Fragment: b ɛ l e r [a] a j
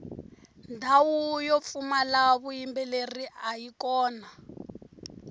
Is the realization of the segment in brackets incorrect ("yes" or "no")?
yes